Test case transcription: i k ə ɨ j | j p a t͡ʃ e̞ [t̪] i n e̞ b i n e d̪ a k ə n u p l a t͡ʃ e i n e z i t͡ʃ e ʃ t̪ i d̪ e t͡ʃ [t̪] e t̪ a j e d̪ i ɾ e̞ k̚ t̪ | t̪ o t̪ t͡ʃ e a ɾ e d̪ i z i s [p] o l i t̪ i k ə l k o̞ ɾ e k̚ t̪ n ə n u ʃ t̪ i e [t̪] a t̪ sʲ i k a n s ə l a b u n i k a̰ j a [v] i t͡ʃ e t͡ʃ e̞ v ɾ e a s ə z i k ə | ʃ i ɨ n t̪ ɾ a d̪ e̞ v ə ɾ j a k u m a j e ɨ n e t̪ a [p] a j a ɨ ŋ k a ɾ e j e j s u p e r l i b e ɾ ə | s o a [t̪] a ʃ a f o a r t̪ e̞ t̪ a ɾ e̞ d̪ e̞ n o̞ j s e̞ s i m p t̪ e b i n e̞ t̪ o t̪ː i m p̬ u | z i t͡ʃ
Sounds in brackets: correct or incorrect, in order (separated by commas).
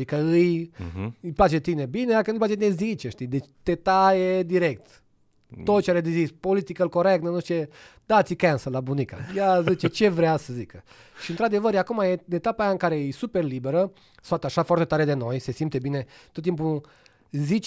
correct, correct, correct, incorrect, incorrect, correct, correct